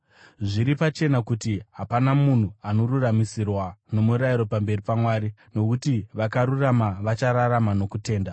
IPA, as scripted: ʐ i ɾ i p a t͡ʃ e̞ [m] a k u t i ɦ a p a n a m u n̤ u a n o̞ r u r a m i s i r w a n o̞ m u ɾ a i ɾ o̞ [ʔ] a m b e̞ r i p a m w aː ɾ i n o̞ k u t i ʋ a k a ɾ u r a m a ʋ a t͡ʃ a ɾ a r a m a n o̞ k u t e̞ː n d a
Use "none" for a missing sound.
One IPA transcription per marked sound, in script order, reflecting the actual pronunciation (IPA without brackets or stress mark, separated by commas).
n, p